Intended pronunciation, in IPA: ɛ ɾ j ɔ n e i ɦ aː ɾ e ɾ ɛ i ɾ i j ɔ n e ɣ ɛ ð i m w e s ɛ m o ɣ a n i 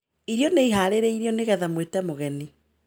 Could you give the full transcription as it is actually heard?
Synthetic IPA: i ɾ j ɔ n e i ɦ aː ɾ e ɾ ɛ i ɾ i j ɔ n e ɣ ɛ ð a m w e t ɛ m o ɣ ɛ n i